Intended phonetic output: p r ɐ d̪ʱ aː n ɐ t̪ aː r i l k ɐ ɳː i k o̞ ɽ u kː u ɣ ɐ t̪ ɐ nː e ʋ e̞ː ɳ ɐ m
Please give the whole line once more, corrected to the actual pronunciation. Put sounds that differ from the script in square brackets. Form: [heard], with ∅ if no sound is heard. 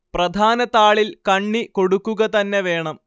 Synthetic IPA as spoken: p r ɐ d̪ʱ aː n ɐ t̪ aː [ɭ] i l k ɐ ɳː i k o̞ ɽ u kː u ɣ ɐ t̪ ɐ nː e ʋ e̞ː ɳ ɐ m